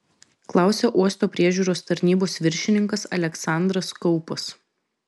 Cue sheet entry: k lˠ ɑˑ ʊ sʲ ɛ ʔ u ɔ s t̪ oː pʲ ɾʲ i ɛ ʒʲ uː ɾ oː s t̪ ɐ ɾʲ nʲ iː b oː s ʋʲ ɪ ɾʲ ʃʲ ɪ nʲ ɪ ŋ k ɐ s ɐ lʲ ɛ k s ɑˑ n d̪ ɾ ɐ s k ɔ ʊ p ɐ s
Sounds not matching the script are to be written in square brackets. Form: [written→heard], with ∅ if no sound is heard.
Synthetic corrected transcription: k lˠ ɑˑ ʊ sʲ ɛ ʔ u ɔ s t̪ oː pʲ ɾʲ i ɛ ʒʲ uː ɾ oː s t̪ ɐ ɾʲ nʲ iː b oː s ʋʲ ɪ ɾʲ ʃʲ ɪ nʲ ɪ ŋ k ɐ s ɐ lʲ ɛ k s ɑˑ n d̪ ɾ ɐ s k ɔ ʊ p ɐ s